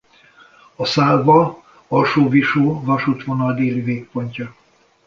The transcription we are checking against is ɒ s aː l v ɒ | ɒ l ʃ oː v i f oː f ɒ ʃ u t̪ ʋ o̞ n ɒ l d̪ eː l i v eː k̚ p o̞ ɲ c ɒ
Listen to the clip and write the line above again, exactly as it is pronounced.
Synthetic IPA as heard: ɒ s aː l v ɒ | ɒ l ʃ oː v i ʃ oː v ɒ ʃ u t̪ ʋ o̞ n ɒ l d̪ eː l i v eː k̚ p o̞ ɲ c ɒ